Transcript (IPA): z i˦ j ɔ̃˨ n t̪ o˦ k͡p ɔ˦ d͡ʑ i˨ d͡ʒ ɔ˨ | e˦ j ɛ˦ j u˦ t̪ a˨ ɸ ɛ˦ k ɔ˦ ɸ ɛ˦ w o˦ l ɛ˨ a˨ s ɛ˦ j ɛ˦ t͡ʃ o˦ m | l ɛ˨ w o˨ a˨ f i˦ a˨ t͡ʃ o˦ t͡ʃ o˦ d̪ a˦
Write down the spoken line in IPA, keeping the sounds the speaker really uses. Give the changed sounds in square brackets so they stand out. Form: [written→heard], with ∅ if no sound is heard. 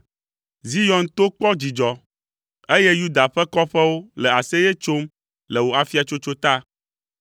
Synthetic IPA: z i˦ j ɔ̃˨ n t̪ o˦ k͡p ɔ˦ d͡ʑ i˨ d͡ʒ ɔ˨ | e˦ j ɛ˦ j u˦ [t̪→d̪] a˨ ɸ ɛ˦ k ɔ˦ ɸ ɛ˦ w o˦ l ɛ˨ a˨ s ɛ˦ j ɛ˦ t͡ʃ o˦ m | l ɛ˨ w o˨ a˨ f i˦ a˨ t͡ʃ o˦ t͡ʃ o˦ [d̪→t̪] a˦